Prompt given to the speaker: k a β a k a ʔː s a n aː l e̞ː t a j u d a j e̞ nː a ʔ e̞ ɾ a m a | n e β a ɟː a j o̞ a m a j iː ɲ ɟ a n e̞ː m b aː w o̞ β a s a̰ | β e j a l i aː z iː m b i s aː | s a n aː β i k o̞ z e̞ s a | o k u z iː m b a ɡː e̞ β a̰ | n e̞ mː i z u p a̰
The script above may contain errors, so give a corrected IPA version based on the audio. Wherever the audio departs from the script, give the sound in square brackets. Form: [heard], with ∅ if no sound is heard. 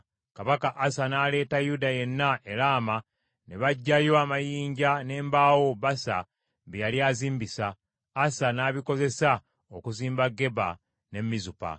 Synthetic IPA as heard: k a β a k a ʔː s a n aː l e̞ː t a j u d a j e̞ nː a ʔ e̞ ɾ a m a | n e β a ɟː a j o̞ a m a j iː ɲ ɟ a n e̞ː m b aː w o̞ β a s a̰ | β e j a l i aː z iː m b i s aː | s a n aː β i k o̞ z e̞ s a | o k u z iː m b a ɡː e̞ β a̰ | n e̞ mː i z u p a̰